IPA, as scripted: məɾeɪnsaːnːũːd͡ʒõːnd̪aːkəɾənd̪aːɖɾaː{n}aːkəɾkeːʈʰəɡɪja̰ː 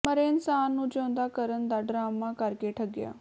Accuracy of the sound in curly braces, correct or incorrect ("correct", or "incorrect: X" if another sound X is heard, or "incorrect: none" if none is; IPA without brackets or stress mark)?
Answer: incorrect: m